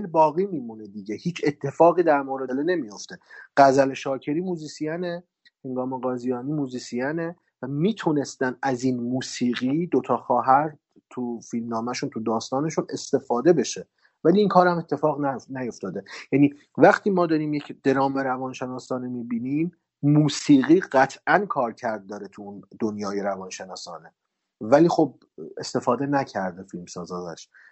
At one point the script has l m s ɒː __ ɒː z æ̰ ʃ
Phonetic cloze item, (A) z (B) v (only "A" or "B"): A